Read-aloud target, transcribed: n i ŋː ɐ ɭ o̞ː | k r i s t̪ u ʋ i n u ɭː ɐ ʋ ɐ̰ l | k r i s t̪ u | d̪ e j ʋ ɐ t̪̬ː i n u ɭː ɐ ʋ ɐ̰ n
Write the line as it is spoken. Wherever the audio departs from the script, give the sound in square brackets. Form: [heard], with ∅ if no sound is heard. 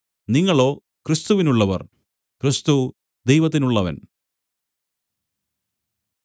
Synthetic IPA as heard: n i ŋː ɐ ɭ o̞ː | k r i s t̪ u ʋ i n u ɭː ɐ ʋ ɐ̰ [r] | k r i s t̪ u | d̪ e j ʋ ɐ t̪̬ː i n u ɭː ɐ ʋ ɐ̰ n